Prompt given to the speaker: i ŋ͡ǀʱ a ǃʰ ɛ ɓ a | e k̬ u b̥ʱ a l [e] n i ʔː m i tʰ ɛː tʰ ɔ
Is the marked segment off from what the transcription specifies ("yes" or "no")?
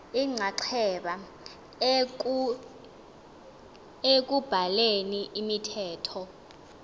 no